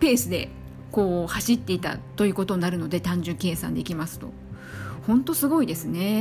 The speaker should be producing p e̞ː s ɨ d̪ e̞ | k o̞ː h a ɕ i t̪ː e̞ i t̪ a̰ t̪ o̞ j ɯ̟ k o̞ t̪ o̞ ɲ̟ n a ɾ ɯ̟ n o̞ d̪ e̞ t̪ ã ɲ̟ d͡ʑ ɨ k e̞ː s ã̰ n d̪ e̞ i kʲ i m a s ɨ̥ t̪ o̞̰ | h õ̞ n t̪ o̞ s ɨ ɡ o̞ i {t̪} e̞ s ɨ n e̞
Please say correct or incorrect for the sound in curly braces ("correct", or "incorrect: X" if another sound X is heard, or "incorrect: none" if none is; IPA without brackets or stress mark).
incorrect: d̪